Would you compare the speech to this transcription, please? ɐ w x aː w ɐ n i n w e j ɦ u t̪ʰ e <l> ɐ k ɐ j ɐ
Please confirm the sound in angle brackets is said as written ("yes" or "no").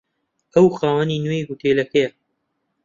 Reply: yes